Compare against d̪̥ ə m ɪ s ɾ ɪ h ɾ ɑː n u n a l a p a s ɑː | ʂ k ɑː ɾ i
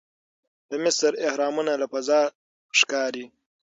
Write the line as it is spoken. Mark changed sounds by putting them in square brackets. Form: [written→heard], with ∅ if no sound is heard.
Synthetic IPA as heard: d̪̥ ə m ɪ s ɾ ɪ h ɾ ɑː [n→m] u n a l a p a [s→z] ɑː | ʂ k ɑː ɾ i